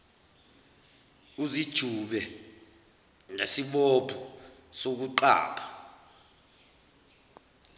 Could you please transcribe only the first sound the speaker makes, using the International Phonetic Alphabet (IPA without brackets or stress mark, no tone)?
u